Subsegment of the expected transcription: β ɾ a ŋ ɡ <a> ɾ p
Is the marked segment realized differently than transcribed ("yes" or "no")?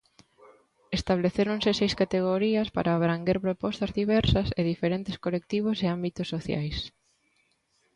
yes